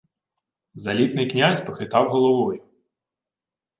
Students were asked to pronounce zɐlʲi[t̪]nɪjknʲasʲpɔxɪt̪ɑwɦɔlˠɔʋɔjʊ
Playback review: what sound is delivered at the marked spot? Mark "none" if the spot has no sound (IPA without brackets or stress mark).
t̪